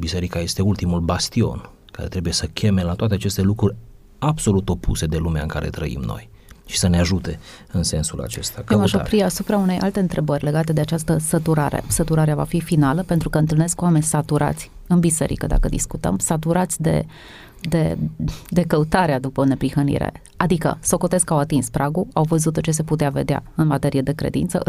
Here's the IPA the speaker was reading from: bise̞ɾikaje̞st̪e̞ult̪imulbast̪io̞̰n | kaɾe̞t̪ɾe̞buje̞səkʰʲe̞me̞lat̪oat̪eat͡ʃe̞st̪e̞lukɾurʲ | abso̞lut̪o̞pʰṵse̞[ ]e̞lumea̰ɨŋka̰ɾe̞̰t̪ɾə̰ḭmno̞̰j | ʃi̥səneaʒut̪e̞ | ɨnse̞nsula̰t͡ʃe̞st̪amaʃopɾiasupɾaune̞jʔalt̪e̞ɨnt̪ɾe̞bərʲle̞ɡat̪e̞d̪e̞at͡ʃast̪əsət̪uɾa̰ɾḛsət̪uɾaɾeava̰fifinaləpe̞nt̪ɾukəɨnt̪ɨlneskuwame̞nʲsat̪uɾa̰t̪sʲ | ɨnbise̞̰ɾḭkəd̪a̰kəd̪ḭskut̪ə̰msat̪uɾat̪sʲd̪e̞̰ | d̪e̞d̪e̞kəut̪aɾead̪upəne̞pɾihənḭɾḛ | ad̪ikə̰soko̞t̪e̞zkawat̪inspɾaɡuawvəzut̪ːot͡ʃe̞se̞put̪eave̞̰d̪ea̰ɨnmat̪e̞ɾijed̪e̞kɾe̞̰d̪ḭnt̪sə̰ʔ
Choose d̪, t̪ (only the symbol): d̪